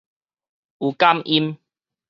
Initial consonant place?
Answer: velar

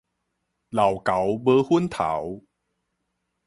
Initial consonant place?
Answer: alveolar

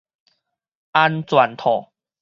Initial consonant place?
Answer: alveolar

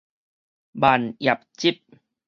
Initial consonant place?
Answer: labial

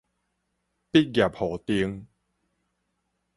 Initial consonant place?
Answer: labial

